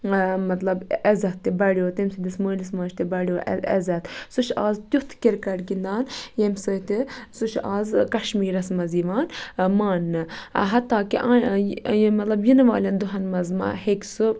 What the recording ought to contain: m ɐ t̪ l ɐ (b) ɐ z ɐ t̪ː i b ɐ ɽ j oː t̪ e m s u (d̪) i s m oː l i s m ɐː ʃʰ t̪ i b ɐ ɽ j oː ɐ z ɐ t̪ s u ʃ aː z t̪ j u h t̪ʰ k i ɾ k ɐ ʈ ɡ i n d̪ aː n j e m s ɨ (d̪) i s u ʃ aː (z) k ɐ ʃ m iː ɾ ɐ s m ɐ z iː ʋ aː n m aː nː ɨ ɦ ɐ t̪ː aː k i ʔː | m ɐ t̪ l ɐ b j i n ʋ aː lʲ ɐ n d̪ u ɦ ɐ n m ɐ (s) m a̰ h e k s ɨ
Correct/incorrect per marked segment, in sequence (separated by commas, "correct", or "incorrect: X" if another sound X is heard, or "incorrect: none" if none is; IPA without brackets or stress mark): correct, correct, incorrect: t̪, correct, incorrect: z